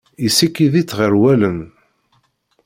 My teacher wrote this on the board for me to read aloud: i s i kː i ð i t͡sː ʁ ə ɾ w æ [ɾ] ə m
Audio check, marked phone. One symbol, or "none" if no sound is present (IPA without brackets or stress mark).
l